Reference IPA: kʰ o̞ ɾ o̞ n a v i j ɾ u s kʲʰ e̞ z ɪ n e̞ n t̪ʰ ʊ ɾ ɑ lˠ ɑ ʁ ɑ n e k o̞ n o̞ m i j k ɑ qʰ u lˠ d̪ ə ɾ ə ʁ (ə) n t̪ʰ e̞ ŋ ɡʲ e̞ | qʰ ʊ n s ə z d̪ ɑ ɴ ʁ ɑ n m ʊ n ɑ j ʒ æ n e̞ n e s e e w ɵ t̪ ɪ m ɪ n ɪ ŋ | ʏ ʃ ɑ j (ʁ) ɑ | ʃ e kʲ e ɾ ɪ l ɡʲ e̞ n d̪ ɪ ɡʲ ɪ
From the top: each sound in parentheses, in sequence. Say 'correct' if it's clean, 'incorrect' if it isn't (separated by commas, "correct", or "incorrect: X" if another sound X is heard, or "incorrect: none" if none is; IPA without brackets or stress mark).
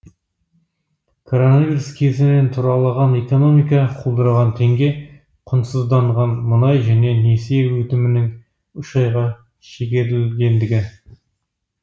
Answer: incorrect: ɑ, correct